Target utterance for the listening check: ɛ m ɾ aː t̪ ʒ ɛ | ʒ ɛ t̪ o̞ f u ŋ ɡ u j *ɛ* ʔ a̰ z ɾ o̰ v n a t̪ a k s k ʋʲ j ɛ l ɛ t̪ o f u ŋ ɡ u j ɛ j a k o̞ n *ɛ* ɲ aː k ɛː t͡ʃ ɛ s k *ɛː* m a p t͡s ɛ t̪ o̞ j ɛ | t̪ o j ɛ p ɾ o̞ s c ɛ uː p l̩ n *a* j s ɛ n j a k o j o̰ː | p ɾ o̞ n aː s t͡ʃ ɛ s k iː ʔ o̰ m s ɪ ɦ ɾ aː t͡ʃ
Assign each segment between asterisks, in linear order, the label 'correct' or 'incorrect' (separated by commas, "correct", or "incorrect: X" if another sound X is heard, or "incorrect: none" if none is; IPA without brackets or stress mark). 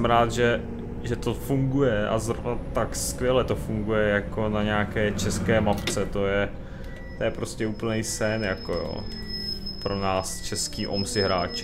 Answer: correct, incorrect: a, correct, incorrect: ɛ